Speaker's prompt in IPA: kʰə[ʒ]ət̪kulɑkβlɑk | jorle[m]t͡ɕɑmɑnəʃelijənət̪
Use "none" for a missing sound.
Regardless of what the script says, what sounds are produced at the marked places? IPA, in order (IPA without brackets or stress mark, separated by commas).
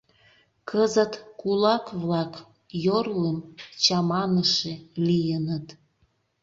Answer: z, m